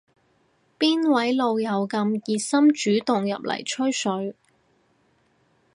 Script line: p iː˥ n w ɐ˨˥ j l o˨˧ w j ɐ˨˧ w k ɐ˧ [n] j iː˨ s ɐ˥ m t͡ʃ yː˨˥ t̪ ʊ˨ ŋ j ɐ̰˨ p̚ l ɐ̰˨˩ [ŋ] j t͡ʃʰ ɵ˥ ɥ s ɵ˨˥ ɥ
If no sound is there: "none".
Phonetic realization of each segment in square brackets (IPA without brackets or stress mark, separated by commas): m, none